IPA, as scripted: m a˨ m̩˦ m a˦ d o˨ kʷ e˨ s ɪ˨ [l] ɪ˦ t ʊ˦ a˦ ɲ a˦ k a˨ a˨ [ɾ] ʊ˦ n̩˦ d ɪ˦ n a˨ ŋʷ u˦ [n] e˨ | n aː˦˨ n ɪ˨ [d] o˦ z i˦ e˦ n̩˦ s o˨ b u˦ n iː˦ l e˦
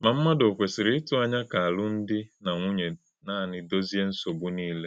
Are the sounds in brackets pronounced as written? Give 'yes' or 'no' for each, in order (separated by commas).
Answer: no, no, no, yes